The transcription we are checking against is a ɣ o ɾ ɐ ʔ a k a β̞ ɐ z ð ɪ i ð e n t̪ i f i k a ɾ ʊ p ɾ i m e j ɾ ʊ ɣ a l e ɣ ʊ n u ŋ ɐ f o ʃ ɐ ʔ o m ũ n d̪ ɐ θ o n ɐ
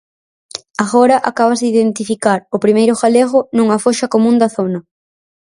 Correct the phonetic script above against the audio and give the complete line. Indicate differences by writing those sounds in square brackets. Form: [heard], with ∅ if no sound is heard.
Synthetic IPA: a ɣ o ɾ ɐ ʔ a k a β̞ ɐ z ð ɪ i ð e n t̪ i f i k a ɾ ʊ p ɾ i m e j ɾ ʊ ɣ a l e ɣ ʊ n u ŋ ɐ f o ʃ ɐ [k] o m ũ n d̪ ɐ θ o n ɐ